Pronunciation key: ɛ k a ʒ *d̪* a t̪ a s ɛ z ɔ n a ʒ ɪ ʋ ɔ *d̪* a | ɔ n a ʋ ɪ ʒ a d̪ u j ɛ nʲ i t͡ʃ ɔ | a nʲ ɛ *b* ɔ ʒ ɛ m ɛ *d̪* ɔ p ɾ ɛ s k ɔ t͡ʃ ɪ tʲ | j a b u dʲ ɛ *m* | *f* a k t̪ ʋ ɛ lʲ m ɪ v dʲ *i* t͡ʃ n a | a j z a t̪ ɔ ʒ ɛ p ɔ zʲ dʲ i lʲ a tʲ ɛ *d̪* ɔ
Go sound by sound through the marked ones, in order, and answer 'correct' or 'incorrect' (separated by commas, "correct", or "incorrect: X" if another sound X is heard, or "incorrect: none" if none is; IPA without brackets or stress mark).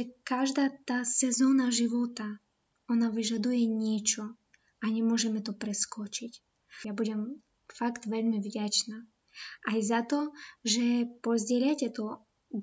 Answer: correct, incorrect: t̪, incorrect: m, incorrect: t̪, correct, correct, incorrect: a, incorrect: t̪